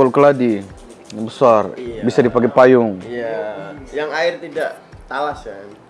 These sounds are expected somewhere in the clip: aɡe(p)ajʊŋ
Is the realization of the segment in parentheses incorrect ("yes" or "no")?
no